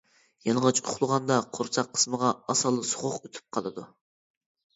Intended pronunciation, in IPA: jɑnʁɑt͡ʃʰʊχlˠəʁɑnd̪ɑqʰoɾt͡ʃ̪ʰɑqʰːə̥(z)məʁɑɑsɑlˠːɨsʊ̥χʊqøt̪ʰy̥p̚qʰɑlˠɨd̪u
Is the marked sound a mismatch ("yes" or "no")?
yes